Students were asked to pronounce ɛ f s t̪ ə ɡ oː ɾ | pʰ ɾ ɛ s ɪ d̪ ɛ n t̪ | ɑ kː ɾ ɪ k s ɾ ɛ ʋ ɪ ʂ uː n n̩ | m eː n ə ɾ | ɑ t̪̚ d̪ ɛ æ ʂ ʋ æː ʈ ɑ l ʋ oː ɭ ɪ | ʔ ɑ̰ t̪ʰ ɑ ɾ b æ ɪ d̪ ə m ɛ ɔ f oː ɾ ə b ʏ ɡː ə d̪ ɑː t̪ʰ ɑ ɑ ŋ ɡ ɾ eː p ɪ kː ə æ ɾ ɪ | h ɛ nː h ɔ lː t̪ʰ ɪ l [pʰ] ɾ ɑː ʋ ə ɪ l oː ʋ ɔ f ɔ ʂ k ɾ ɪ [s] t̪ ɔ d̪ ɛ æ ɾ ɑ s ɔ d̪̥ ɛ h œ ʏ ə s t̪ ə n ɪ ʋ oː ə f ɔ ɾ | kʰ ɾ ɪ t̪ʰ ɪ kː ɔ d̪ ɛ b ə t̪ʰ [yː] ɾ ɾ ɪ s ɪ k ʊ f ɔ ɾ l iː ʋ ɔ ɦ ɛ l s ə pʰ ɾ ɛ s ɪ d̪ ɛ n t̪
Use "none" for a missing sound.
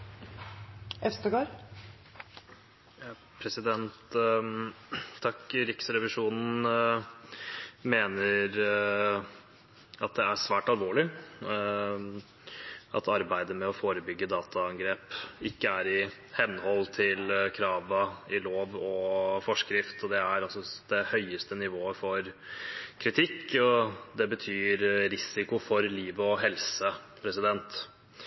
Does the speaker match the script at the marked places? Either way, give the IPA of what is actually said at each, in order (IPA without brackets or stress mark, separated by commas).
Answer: kʰ, f, yː